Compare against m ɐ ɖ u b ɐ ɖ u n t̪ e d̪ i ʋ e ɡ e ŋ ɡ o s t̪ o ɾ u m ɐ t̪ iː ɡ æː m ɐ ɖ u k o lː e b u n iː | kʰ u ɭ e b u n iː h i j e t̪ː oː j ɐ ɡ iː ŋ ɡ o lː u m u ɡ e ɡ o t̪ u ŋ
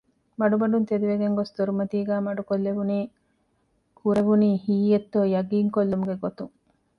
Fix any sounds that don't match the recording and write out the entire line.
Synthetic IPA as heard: m ɐ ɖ u b ɐ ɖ u n t̪ e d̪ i ʋ e ɡ e ŋ ɡ o s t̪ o ɾ u m ɐ t̪ iː ɡ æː m ɐ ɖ u k o lː e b u n iː | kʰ u ɾ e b u n iː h iː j e t̪ː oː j ɐ ɡ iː ŋ k o lː u m u ɡ e ɡ o t̪ u ŋ